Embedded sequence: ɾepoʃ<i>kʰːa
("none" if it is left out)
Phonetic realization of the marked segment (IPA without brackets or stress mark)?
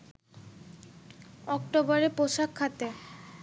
a